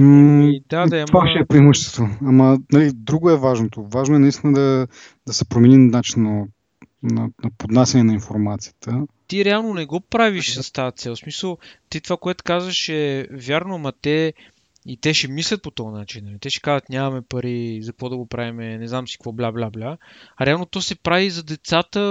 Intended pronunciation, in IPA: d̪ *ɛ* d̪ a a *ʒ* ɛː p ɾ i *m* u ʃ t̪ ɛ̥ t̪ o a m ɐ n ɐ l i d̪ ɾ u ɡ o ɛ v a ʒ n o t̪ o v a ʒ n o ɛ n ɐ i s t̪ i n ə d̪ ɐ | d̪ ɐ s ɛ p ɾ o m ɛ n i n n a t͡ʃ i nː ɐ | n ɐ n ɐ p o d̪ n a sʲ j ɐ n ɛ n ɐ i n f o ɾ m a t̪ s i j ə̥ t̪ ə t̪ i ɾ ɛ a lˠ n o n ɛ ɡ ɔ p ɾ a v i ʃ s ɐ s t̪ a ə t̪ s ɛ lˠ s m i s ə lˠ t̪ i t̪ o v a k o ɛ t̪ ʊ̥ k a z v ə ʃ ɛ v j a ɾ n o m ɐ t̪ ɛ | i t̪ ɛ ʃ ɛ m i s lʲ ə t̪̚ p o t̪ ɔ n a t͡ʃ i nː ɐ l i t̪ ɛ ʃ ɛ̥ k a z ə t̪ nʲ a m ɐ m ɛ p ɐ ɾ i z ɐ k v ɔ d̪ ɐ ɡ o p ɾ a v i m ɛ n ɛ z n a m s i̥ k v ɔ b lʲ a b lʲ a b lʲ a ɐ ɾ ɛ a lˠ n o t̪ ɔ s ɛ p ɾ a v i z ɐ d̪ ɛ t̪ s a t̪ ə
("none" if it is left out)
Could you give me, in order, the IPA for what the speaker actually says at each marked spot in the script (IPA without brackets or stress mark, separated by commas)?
a, ʃ, m